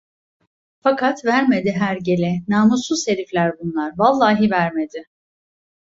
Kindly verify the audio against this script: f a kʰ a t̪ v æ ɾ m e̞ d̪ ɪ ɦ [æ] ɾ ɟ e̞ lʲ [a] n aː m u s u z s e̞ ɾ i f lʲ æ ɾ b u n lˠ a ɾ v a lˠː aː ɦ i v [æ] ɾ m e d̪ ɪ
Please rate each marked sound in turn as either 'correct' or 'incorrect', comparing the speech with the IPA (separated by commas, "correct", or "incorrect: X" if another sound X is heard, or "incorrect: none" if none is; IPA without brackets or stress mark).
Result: correct, incorrect: ɛ, correct